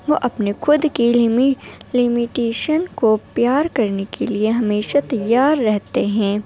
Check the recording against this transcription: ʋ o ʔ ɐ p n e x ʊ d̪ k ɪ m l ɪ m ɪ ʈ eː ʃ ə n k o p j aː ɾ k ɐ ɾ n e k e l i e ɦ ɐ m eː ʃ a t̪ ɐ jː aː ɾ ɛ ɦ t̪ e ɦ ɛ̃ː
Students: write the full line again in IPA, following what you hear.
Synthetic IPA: ʋ o ʔ ɐ p n e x ʊ d̪ k i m l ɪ m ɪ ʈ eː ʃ ə n k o p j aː ɾ k ɐ ɾ n e k e l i e ɦ ɐ m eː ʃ a t̪ ɐ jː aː ɾː ɛ ɦ t̪ e ɦ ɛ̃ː